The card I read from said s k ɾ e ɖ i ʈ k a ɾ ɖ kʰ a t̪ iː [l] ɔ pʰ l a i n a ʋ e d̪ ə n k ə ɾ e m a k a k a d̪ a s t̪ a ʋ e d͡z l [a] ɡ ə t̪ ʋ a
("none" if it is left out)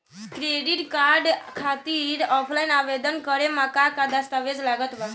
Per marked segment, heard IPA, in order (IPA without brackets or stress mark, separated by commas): ɾ, a